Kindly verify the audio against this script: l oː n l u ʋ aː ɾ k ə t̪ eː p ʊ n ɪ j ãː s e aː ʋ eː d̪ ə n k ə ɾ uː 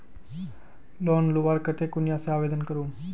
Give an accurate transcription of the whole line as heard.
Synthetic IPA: l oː n l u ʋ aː ɾ k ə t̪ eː k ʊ n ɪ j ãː s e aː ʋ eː d̪ ə n k ə ɾ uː